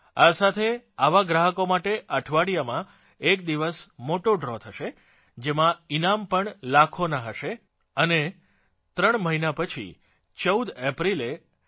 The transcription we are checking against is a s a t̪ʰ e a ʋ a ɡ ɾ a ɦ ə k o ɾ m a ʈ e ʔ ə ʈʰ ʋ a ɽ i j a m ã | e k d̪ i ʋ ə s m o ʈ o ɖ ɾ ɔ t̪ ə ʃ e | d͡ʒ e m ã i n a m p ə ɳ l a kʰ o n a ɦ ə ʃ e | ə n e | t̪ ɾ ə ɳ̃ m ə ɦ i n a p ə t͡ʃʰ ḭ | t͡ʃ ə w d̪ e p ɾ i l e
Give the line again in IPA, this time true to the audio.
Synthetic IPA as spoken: a s a t̪ʰ e a ʋ a ɡ ɾ a ɦ ə k o m a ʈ e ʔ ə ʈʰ ʋ a ɽ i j a m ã | e k d̪ i ʋ ə s m o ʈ o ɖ ɾ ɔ t̪ʰ ə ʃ e | d͡ʒ e m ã i n a m p ə ɳ l a kʰ o n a ɦ ə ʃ e | ə n e | t̪ ɾ ə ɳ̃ m ə ɦ i n a p ə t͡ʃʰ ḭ | t͡ʃ ə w d̪ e p ɾ i l e